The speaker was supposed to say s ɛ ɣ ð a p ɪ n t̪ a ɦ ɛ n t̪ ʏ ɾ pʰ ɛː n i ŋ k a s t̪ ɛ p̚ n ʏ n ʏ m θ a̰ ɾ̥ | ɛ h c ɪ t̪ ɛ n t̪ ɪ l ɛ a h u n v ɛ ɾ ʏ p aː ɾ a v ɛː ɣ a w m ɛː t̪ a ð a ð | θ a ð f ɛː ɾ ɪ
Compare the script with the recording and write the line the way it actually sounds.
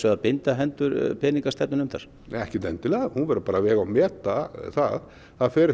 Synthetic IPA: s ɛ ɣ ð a p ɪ n t̪ a ɦ ɛ n t̪ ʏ ɾ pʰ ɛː n i ŋ k a s t̪ ɛ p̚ n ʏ n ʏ m θ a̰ ɾ̥ | ɛ h c ɪ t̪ ɛ n t̪ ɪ l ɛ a h u n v ɛ ɾ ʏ p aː ɾ a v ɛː ɣ a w m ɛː t̪ a θ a ð | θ a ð f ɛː ɾ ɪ